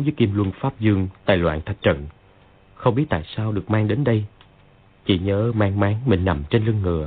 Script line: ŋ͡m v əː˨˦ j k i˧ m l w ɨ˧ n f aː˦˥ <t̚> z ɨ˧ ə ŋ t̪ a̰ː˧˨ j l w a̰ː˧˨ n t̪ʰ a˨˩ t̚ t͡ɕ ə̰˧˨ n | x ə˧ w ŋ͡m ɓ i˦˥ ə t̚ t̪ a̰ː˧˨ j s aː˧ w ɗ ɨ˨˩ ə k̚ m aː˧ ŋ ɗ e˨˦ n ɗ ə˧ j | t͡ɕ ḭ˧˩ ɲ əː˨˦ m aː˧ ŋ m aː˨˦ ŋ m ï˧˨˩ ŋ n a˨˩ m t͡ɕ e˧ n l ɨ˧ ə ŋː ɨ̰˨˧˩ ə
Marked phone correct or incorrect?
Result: incorrect